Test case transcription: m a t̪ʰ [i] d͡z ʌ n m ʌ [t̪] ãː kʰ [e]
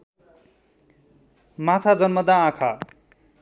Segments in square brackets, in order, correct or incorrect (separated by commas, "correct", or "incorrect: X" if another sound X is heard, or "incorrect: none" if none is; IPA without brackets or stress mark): incorrect: a, incorrect: d̪, incorrect: a